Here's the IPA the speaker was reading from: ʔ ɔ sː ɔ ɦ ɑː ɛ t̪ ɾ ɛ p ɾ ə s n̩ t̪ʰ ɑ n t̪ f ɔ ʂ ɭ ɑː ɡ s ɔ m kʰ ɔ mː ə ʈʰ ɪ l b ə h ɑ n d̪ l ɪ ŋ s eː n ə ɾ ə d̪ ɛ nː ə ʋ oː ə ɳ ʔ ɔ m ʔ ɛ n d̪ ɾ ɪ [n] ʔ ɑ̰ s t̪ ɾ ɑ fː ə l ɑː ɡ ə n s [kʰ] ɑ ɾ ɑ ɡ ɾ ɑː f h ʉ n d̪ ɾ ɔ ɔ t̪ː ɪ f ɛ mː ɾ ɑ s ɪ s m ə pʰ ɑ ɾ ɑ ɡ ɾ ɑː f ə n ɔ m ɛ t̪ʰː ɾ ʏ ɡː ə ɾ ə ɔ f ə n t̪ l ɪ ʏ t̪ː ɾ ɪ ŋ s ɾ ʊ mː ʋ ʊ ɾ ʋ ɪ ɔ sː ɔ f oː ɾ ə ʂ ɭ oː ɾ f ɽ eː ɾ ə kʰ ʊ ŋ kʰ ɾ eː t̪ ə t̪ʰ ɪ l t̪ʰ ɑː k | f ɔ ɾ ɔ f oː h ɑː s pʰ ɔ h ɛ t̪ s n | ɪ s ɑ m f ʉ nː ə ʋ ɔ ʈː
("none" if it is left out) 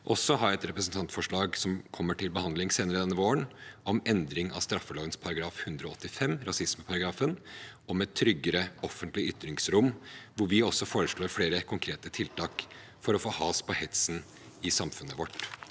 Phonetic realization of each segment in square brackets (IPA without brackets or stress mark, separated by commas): ŋ, pʰ